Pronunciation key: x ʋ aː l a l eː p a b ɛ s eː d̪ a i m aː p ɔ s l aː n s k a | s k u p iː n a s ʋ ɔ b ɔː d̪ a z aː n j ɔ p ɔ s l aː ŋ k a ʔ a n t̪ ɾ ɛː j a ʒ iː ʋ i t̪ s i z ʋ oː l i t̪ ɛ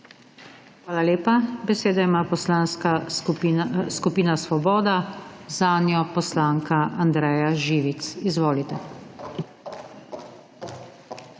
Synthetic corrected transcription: x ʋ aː l a l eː p a b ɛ s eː d̪ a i m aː p ɔ s l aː n s k a | s k u p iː n a s ʋ ɔ b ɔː d̪ a z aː n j ɔ p ɔ s l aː ŋ k a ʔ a n d̪ ɾ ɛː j a ʒ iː ʋ i t̪ s i z ʋ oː l i t̪ ɛ

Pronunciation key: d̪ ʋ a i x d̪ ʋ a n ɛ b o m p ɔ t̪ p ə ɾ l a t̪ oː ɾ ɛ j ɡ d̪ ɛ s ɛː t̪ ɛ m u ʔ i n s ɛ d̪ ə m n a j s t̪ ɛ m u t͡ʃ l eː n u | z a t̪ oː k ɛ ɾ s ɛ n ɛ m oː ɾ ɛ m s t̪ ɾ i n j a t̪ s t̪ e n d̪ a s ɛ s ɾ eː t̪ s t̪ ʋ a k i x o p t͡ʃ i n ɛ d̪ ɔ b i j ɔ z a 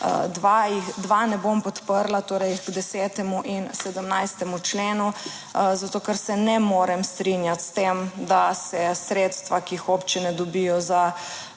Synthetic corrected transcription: d̪ ʋ a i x d̪ ʋ a n ɛ b o m p ɔ t̪ p ə ɾ l a t̪ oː ɾ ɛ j ɡ d̪ ɛ s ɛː t̪ ɛ m u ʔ i n s ɛ d̪ ə m n a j s t̪ ɛ m u t͡ʃ l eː n u | z a t̪ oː k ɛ ɾ s ɛ n ɛ m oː ɾ ɛ m s t̪ ɾ i n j a t̪ s t̪ e m d̪ a s ɛ s ɾ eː t̪ s t̪ ʋ a k i x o p t͡ʃ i n ɛ d̪ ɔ b i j ɔ z a

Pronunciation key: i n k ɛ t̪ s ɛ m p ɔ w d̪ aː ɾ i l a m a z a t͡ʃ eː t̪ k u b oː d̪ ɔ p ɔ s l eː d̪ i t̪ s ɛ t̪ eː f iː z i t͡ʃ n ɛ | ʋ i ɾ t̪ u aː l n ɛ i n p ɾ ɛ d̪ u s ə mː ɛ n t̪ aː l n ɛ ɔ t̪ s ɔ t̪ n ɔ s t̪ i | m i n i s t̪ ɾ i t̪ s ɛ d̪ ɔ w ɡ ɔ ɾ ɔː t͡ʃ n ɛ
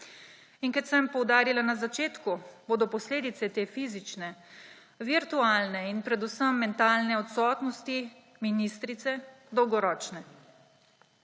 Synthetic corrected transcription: i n k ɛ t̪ s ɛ m p ɔ w d̪ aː ɾ i l a n a z a t͡ʃ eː t̪ k u b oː d̪ ɔ p ɔ s l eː d̪ i t̪ s ɛ t̪ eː f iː z i t͡ʃ n ɛ | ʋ i ɾ t̪ u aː l n ɛ i n p ɾ ɛ d̪ u s ə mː ɛ n t̪ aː l n ɛ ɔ t̪ s ɔ t̪ n ɔ s t̪ i | m i n i s t̪ ɾ i t̪ s ɛ d̪ ɔ w ɡ ɔ ɾ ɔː t͡ʃ n ɛ

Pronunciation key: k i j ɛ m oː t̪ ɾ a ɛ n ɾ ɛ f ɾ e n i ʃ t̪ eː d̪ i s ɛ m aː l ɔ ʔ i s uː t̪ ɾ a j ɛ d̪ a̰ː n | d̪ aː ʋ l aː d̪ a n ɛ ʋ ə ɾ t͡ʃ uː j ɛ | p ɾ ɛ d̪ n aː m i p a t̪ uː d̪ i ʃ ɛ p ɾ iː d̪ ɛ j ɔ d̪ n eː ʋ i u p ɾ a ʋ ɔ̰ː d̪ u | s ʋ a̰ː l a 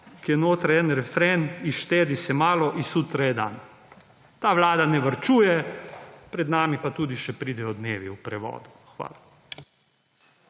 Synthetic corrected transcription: k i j ɛ n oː t̪ ɾ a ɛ n ɾ ɛ f ɾ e n i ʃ t̪ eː d̪ i s ɛ m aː l ɔ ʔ i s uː t̪ ɾ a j ɛ d̪ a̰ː n | t̪ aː ʋ l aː d̪ a n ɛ ʋ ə ɾ t͡ʃ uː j ɛ | p ɾ ɛ d̪ n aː m i p a t̪ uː d̪ i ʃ ɛ p ɾ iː d̪ ɛ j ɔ d̪ n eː ʋ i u p ɾ ɛ ʋ ɔ̰ː d̪ u | x ʋ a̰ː l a

